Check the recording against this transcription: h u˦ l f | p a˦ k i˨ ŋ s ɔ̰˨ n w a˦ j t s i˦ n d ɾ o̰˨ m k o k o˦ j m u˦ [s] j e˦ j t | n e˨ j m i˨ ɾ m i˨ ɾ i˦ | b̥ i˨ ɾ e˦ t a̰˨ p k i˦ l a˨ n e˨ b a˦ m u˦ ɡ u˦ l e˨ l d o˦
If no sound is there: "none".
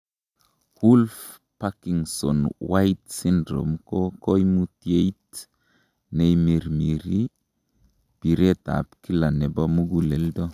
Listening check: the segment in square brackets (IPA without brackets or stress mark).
t